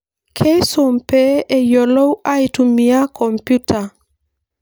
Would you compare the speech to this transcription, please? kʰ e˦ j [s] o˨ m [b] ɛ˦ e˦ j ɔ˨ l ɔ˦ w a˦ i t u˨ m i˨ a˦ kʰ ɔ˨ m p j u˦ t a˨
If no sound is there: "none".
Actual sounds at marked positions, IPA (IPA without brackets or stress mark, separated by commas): s, p